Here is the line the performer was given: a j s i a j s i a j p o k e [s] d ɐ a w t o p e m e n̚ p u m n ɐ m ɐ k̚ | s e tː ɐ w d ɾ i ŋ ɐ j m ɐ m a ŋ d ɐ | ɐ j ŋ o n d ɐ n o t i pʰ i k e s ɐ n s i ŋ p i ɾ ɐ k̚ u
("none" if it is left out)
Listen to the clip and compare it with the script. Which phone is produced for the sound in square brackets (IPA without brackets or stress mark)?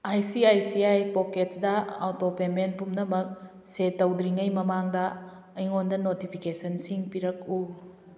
t